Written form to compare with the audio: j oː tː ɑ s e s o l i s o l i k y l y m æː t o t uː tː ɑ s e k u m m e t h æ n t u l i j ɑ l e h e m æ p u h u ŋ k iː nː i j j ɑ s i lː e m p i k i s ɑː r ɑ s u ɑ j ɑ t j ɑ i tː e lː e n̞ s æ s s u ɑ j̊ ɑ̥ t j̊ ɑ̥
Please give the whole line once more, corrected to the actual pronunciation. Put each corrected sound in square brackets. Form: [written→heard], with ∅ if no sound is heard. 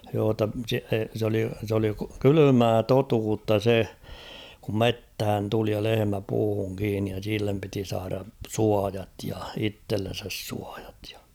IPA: j oː tː ɑ s e s o l i s o l i k y l y m æː t o t uː tː ɑ s e k u m m e t h æ n t u l i j ɑ l e h e m æ p [u→uː] h u ŋ k iː nː i j j ɑ s i lː e m p i [k→t] i s ɑː r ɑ s u ɑ j ɑ t j ɑ i tː e lː e n̞ s æ s s u ɑ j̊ ɑ̥ t j̊ ɑ̥